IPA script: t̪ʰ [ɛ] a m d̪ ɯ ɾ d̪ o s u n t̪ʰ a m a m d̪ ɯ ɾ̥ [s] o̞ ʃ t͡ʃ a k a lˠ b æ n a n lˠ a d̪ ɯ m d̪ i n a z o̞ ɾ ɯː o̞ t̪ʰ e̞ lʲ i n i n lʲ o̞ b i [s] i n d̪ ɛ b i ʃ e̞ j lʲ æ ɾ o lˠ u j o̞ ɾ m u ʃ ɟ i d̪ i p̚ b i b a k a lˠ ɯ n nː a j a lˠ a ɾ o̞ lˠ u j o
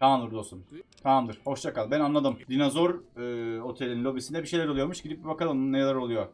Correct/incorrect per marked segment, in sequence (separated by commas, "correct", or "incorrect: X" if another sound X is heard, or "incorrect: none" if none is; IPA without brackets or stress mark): incorrect: a, incorrect: h, correct